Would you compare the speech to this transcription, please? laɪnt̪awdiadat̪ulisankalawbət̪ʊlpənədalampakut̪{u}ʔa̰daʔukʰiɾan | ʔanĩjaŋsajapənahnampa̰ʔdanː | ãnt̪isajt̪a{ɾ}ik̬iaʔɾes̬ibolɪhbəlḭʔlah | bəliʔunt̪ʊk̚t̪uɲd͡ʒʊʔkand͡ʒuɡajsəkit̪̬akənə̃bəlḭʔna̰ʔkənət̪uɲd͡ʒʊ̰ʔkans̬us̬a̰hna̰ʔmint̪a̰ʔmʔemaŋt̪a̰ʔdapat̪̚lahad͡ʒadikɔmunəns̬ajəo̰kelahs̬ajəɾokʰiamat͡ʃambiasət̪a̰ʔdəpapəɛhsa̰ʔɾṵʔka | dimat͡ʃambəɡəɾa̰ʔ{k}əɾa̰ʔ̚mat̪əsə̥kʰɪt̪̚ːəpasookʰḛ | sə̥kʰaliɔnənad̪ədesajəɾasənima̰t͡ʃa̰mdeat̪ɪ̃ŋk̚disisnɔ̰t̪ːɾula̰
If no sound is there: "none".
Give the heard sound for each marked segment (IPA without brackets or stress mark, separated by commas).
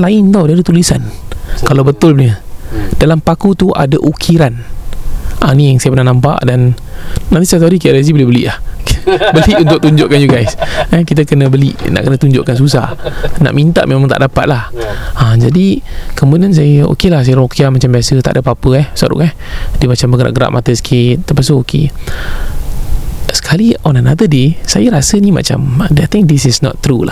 u, ɾ, ɡ